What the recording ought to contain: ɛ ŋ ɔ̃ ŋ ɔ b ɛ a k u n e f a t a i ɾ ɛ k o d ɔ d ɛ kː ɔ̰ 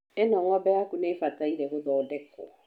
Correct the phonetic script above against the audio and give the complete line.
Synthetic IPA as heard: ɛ n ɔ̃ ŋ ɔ b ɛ a k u n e f a t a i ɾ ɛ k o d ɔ d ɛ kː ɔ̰